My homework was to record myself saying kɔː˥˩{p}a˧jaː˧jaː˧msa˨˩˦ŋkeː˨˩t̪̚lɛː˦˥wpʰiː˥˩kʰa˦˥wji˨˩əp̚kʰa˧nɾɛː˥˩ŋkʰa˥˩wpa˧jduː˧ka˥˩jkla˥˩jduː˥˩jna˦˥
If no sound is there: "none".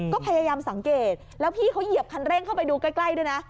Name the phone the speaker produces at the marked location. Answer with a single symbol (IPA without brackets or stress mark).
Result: pʰ